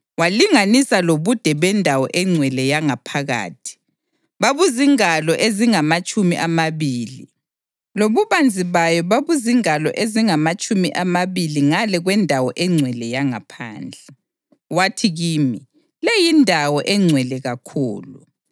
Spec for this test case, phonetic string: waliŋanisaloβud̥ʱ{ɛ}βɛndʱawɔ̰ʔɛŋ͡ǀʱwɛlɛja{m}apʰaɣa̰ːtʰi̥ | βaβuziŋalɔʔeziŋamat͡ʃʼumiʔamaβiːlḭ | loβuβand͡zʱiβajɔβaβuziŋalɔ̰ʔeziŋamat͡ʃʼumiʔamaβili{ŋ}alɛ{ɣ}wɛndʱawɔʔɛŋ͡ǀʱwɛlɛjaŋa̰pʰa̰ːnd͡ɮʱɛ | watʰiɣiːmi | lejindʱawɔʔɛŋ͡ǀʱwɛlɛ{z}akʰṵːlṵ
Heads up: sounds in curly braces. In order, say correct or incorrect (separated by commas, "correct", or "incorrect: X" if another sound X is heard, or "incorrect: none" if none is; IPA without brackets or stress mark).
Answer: correct, incorrect: ŋ, correct, correct, incorrect: ɣ